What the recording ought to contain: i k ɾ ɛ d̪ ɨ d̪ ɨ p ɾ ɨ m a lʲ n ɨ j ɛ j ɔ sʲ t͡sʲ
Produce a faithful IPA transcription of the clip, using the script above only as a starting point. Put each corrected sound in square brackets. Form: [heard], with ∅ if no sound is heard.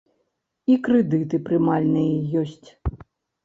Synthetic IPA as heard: i k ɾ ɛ d̪ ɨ [t̪] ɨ p ɾ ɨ m a lʲ n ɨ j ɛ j ɔ sʲ t͡sʲ